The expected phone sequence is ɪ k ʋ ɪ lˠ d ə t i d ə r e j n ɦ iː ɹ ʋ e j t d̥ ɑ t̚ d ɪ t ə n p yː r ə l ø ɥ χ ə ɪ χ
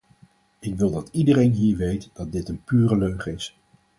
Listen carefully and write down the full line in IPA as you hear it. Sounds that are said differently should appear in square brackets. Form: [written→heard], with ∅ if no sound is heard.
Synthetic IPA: ɪ k ʋ ɪ lˠ d [ə→ɑ] t i d ə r e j n ɦ iː ɹ ʋ e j t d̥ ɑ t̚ d ɪ t ə n p yː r ə l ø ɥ χ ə ɪ [χ→s]